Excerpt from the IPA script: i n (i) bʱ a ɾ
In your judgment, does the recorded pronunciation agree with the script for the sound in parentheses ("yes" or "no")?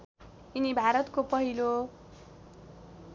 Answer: yes